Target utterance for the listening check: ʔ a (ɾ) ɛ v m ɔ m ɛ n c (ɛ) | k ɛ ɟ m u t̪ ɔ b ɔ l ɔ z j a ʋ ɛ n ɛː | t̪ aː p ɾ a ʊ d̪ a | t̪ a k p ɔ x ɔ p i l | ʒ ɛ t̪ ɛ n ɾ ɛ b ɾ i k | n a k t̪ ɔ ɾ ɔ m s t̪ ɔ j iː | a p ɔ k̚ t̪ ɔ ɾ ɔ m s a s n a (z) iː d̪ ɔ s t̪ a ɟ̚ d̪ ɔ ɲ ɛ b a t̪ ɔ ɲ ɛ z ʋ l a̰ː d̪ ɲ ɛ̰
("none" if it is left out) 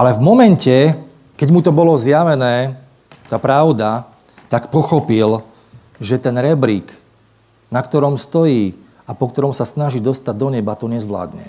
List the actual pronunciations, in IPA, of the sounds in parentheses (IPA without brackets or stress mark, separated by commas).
l, ɛ, ʒ